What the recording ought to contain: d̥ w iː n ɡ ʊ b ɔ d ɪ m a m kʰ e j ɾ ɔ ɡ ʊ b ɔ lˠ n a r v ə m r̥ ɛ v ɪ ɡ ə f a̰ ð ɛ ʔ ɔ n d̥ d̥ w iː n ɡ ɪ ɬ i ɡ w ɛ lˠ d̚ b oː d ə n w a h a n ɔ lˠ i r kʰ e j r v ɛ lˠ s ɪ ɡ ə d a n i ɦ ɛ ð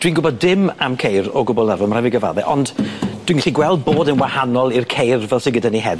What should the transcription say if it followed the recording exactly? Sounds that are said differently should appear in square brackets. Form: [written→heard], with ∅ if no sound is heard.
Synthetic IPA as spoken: d̥ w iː n ɡ ʊ b ɔ d ɪ m a m kʰ e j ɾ ɔ ɡ ʊ b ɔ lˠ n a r v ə m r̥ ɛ v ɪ ɡ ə [f→v] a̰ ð ɛ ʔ ɔ n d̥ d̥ w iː n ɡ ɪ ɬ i ɡ w ɛ lˠ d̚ b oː d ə n w a h a n ɔ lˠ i r kʰ e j r v ɛ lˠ s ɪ ɡ ə d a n i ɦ ɛ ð